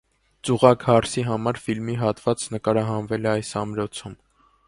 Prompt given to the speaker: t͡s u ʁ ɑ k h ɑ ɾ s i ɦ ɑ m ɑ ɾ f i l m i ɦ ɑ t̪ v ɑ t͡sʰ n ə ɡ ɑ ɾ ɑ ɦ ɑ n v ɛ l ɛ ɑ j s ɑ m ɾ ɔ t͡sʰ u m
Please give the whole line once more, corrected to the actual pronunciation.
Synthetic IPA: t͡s u ʁ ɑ k h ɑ ɾ s i ɦ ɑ m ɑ ɾ f i l m i ɦ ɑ t̪ v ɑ t͡s n ə k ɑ ɾ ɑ ɦ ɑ n v ɛ l ɛ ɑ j s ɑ m ɾ ɔ t͡sʰ u m